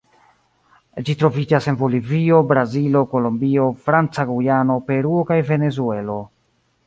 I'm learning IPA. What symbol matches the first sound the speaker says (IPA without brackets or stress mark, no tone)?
d͡ʒ